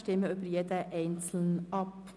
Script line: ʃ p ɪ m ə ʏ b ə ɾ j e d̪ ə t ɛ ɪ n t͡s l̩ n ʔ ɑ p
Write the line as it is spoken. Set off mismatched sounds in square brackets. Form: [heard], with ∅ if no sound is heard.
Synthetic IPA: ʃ [t] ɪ m ə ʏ b ə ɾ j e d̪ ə [ʔ] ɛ ɪ n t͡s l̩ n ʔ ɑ p